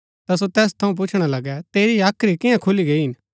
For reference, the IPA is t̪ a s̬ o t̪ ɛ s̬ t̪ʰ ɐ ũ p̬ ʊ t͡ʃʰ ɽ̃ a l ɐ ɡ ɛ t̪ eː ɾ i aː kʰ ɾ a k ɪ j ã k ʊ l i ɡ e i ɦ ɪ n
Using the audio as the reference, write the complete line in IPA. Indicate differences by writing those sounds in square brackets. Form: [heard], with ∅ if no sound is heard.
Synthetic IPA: t̪ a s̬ o t̪ [ɛː] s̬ t̪ʰ ɐ ũ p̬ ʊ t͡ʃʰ ɽ̃ a l ɐ ɡ ɛ t̪ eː ɾ i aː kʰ ɾ [i] k ɪ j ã [kʰ] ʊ l i ɡ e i ɦ ɪ n